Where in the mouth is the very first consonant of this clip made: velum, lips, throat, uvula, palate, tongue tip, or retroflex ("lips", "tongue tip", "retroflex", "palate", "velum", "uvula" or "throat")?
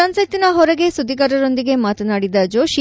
tongue tip